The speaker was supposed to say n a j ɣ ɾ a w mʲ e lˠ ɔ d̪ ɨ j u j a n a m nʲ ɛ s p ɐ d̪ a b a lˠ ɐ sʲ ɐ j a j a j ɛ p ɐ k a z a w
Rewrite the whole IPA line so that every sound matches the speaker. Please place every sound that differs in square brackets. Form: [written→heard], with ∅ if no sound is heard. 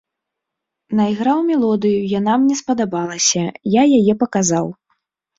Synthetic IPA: n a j ɣ ɾ a w mʲ [e→ɛ] lˠ ɔ d̪ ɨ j u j a n a m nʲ ɛ s p ɐ d̪ a b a lˠ ɐ sʲ ɐ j a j a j ɛ p ɐ k a z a w